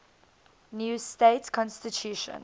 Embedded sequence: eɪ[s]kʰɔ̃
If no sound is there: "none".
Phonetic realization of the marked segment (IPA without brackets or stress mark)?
t